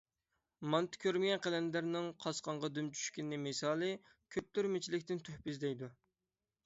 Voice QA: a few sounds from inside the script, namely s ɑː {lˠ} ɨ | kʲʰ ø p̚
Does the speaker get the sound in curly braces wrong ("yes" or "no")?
no